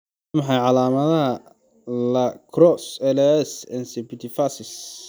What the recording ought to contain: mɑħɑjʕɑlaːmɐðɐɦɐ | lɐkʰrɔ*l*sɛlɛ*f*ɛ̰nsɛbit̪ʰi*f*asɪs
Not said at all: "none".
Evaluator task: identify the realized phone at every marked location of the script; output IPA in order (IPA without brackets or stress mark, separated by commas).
none, s, f